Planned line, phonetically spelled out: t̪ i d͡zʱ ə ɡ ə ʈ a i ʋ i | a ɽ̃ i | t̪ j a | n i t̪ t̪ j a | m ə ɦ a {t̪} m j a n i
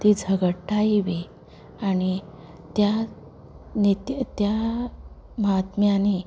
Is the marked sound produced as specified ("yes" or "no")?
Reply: yes